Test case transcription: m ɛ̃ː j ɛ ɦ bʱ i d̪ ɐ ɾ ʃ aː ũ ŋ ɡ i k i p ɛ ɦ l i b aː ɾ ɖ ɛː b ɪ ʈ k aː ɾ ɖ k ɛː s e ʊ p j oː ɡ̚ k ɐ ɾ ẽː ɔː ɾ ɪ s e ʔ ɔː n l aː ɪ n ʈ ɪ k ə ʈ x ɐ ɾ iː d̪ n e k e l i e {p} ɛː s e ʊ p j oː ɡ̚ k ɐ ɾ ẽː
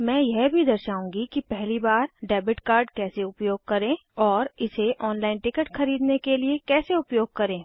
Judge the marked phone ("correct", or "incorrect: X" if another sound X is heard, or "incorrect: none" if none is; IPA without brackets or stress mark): incorrect: k